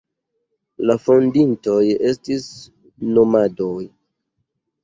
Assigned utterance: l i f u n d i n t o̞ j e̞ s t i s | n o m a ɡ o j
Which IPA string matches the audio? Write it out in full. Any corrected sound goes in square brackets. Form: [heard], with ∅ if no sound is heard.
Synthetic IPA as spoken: l [a] f [o] n d i n t o̞ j e̞ s t i s | n o m a [d] o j